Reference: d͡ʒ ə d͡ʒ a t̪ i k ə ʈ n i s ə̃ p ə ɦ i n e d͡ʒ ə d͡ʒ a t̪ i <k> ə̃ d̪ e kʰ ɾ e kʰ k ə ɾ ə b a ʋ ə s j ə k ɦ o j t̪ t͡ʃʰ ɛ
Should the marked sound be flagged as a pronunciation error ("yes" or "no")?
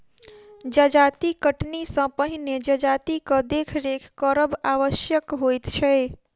no